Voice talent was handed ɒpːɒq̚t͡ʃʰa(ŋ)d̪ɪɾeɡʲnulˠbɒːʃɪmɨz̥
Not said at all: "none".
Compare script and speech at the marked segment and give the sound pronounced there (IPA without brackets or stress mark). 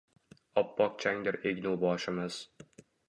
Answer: ŋ